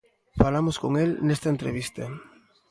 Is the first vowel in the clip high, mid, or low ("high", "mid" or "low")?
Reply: low